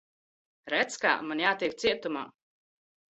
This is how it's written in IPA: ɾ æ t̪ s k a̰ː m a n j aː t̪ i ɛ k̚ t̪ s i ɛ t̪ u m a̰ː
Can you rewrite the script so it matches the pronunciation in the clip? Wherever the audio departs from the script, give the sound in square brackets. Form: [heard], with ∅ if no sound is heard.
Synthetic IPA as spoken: ɾ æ t̪ s k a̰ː m a n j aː t̪ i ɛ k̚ t̪ s i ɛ t̪ u m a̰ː